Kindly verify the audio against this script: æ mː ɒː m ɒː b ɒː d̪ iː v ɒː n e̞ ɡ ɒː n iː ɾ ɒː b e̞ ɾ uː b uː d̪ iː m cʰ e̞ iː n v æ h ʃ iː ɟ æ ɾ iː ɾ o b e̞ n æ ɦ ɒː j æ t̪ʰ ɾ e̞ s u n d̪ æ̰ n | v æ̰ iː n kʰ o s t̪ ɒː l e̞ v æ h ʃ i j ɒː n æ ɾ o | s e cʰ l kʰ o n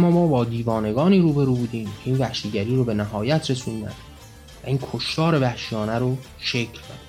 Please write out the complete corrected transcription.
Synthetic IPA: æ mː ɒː m ɒː b ɒː d̪ iː v ɒː n e̞ ɡ ɒː n iː ɾ uː b e̞ ɾ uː b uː d̪ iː m cʰ e̞ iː n v æ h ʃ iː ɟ æ ɾ iː ɾ o b e̞ n æ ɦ ɒː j æ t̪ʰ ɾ e̞ s u n d̪ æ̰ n | v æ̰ iː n kʰ o ʃ t̪ ɒː ɾ e̞ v æ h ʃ i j ɒː n æ ɾ o | ʃ e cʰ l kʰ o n